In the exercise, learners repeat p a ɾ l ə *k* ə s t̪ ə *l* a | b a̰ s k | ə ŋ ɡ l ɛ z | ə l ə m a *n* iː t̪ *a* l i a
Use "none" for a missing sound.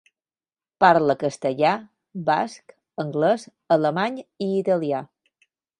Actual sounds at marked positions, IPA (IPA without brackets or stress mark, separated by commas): k, ʎ, ɲ, ə